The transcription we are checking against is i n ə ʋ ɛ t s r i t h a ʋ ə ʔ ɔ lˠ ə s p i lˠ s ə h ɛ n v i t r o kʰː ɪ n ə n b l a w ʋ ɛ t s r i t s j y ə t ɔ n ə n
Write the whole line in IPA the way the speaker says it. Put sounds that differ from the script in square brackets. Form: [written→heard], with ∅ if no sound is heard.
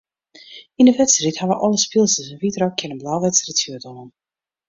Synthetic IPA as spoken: i n ə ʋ ɛ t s r i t h a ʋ ə ʔ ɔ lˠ ə s p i lˠ s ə [h→s] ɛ n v i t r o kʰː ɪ n ə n b l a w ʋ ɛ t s r i t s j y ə t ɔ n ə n